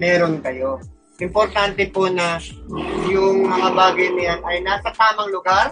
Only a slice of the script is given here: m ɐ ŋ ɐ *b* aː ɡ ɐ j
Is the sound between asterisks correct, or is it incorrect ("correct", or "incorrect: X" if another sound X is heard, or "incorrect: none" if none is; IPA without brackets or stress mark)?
correct